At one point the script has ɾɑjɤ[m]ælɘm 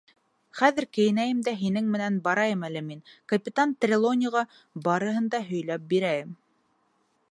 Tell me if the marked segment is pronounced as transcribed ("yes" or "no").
yes